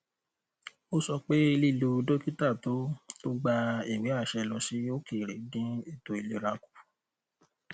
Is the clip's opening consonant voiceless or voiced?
voiceless